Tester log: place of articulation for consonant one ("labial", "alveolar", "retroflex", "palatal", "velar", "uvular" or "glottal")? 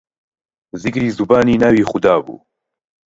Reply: alveolar